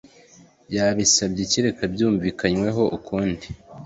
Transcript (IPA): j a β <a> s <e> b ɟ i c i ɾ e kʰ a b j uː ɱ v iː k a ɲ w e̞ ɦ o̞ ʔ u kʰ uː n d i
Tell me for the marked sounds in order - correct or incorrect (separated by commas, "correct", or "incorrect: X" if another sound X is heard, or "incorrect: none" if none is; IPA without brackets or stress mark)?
incorrect: i, incorrect: a